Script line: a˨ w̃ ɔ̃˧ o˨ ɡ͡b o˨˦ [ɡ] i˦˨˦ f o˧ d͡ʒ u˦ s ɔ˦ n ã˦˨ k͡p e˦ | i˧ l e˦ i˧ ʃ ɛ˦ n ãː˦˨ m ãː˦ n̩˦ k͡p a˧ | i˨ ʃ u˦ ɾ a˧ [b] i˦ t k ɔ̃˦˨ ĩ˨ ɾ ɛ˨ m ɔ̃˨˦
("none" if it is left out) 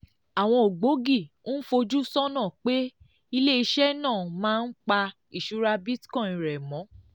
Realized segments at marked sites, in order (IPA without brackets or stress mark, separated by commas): ɡ, b